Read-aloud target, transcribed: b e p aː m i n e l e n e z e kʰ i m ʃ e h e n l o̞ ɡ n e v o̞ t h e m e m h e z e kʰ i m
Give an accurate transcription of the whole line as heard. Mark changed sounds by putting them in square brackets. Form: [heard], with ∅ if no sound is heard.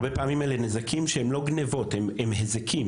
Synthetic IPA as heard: b e p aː m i [m] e l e n e z [a] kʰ i m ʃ e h e [m] l o̞ ɡ n e v o̞ t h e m e m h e z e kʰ i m

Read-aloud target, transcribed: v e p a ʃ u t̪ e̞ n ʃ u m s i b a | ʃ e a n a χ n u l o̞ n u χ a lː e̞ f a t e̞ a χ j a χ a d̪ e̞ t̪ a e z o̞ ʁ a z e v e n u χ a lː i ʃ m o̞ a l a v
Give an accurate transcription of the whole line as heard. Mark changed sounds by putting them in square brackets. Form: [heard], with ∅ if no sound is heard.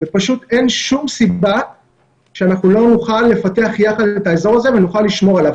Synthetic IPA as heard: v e p a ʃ u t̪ e̞ n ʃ u m s i b a | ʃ e a n a χ n u l o̞ n u χ a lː e̞ f a t e̞ a χ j a χ a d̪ e̞ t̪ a e z o̞ ʁ a z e v e n u χ a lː i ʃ m o̞ a l a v

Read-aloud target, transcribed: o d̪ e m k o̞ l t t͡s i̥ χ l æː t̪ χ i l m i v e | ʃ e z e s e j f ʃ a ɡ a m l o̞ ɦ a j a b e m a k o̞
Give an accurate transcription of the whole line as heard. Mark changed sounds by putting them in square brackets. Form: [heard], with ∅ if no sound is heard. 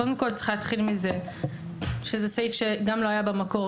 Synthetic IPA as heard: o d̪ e m k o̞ l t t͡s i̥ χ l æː t̪ χ i l m i [z] e | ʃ e z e s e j f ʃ [e] ɡ a m l o̞ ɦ a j a b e m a k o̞

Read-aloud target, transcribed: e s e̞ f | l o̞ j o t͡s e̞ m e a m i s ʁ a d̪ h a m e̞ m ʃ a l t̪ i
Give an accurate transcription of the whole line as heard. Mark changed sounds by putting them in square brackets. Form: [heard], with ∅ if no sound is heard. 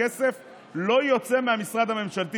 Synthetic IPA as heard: e s e̞ f | l o̞ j o t͡s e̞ m e a m i s ʁ a d̪ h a m e̞ m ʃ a l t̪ i

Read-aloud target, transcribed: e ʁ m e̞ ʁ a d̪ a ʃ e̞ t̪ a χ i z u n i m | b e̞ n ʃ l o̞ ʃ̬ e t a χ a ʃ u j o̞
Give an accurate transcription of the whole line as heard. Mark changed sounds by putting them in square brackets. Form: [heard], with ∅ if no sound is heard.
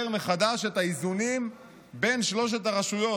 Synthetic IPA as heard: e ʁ m e̞ [χ] a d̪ a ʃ e̞ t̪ a [∅] i z u n i m | b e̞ n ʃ l o̞ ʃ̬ e t a [ʁ] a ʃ u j o̞

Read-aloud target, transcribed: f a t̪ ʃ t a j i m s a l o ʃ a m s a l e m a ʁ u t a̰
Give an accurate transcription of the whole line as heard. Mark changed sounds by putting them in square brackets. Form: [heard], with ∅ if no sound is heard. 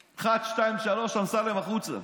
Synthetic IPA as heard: [χ] a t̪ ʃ t a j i m [ʃ] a l o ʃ a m s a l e m a [χ] u [t͡s] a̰

